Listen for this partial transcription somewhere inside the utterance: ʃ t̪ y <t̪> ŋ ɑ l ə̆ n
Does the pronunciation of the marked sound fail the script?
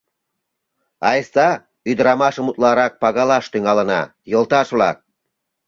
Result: yes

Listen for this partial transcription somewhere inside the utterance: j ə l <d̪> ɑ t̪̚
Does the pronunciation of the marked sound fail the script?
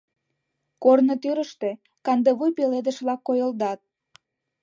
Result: no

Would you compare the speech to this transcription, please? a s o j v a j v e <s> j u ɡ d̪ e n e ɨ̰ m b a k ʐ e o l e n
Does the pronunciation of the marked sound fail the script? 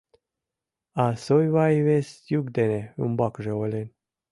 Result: no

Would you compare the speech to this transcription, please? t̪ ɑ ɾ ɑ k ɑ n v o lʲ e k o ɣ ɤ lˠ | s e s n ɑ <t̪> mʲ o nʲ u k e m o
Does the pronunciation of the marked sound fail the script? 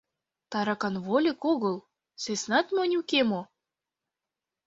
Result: no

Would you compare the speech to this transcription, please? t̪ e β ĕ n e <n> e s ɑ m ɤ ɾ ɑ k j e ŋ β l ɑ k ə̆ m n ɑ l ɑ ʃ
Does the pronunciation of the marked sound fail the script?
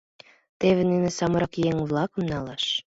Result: no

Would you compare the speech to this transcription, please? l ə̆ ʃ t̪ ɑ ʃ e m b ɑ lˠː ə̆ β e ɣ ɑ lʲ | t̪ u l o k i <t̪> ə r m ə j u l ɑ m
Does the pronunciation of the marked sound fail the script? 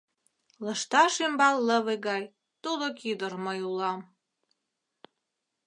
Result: yes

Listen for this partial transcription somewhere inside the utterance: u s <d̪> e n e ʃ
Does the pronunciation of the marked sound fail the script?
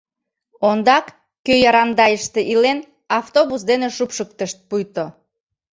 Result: no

